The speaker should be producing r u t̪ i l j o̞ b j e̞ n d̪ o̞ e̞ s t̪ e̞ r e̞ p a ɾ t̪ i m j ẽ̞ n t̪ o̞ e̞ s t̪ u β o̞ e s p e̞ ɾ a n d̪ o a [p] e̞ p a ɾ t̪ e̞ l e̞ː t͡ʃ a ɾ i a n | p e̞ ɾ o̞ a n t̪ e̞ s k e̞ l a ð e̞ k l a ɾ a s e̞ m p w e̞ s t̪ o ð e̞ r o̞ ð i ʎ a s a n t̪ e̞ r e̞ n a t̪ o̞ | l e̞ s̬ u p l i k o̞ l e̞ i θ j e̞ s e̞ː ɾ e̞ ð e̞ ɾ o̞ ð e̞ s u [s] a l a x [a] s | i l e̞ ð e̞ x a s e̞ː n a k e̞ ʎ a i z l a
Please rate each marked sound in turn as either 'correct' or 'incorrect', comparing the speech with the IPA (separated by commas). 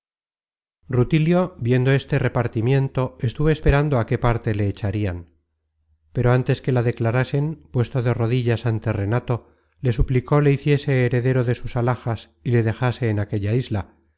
incorrect, correct, correct